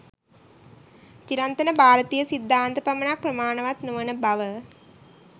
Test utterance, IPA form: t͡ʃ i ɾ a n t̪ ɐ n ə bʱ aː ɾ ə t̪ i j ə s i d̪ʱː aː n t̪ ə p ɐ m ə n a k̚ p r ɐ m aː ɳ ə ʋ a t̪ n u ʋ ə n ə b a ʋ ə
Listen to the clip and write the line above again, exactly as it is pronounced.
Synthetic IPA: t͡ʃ i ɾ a n t̪ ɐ n ə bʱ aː ɾ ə t̪ i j ə s i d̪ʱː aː n t̪ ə p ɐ m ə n a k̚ p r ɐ m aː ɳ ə ʋ a t̪ n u ʋ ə n ə b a ʋ ə

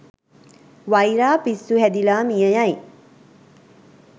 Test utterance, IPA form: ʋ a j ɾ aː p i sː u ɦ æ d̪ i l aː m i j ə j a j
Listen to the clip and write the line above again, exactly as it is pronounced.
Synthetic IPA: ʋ a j ɾ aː p i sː u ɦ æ d̪ i l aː m i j ə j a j

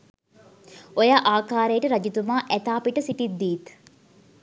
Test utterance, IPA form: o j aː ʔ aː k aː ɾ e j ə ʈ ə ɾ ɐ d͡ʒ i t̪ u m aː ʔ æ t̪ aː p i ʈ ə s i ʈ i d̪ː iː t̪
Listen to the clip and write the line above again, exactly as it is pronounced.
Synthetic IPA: o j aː ʔ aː k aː ɾ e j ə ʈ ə ɾ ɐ d͡ʒ i t̪ u m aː ʔ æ t̪ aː p i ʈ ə s i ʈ i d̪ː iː t̪

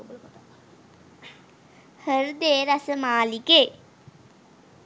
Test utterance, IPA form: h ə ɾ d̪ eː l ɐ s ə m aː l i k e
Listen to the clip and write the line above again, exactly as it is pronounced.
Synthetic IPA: h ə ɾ d̪ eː ɾ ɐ s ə m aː l i k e

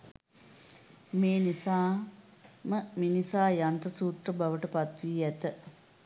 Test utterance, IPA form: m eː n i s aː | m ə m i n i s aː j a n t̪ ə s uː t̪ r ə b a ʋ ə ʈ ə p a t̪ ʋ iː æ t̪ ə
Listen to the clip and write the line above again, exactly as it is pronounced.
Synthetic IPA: m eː n i s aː | m ə m i n i s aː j a n t̪ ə s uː t̪ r ə b a ʋ ə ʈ ə p a t̪ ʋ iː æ t̪ ə

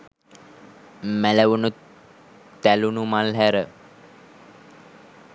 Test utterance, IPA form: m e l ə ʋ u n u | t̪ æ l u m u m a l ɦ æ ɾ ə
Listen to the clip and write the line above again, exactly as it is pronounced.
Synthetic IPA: m æ l ə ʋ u n u | t̪ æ l u n u m a l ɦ æ ɾ ə

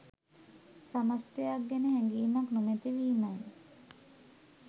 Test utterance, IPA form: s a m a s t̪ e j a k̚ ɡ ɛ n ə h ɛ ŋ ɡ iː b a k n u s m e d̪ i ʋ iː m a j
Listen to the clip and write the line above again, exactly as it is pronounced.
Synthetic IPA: s a m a s t̪ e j a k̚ ɡ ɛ n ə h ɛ ŋ ɡ iː m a k n u m e t̪ i ʋ iː m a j

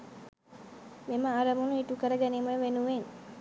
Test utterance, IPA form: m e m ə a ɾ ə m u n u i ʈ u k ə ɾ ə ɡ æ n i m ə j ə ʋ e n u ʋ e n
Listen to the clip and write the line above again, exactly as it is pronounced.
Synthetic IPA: m e m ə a ɾ ə m u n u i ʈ u k ə ɾ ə ɡ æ n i m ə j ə ʋ e n u ʋ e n

